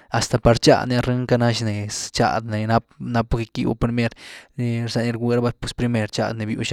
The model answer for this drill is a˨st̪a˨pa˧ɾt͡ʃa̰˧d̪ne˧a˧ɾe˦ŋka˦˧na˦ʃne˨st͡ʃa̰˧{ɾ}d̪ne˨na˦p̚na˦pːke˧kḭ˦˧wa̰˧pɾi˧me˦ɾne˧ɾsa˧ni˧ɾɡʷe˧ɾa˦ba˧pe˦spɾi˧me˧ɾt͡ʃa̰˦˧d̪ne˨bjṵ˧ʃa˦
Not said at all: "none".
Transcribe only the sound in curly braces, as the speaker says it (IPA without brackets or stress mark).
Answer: none